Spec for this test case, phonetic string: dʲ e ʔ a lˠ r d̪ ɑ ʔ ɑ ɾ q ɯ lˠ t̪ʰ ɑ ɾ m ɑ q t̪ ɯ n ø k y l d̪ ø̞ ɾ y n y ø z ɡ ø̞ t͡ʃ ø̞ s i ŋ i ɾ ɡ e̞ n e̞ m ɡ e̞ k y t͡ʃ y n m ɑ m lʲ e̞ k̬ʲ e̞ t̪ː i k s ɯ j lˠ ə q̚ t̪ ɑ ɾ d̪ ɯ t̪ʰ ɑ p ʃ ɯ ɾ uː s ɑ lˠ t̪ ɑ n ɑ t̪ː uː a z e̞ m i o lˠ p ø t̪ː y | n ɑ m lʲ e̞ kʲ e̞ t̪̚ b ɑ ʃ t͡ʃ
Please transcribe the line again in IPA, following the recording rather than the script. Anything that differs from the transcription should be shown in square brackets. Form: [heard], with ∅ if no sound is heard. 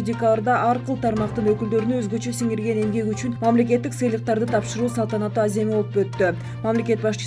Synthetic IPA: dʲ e [k] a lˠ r d̪ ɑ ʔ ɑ ɾ q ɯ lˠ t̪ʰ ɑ ɾ m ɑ q t̪ ɯ n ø k y l d̪ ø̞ ɾ y n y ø z ɡ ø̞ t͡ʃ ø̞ s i ŋ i ɾ ɡ e̞ n e̞ m ɡ e̞ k y t͡ʃ y n m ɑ m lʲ e̞ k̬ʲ e̞ t̪ː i k s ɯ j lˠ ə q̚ t̪ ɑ ɾ d̪ ɯ t̪ʰ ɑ p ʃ ɯ ɾ uː s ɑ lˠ t̪ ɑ n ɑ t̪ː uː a z e̞ m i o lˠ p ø t̪ː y | [m] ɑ m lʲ e̞ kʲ e̞ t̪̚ b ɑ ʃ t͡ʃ